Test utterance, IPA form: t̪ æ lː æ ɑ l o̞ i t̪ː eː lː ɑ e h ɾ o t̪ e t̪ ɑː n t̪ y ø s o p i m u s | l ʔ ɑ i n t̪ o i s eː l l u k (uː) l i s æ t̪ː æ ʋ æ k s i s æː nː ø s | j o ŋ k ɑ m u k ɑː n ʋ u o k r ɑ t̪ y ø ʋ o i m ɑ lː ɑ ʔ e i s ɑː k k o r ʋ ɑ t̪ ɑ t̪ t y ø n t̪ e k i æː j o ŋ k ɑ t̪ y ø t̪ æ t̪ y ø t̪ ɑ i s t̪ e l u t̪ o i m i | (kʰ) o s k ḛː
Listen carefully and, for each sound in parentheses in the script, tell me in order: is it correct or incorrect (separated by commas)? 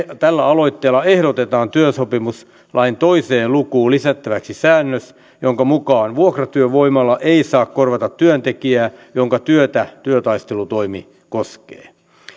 correct, incorrect